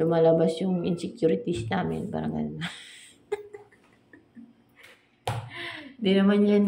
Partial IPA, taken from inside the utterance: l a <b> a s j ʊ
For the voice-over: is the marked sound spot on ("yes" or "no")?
yes